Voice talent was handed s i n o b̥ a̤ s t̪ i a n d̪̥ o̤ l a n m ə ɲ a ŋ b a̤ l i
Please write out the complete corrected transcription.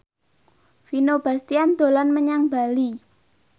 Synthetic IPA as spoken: f i n o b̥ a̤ s t̪ i a n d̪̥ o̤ l a n m ə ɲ a ŋ b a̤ l i